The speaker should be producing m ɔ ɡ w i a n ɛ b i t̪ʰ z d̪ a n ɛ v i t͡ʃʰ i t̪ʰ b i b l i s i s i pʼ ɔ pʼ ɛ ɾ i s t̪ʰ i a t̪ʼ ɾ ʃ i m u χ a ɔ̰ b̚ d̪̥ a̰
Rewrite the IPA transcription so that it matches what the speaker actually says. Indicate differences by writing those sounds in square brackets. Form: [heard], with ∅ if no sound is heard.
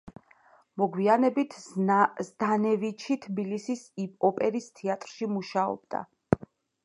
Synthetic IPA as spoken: m ɔ ɡ w i a n ɛ b i t̪ʰ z d̪ a n ɛ v i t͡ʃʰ i t̪ʰ b i [∅] l i s i s i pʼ ɔ pʼ ɛ ɾ i s t̪ʰ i a t̪ʼ ɾ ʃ i m u [ʃ] a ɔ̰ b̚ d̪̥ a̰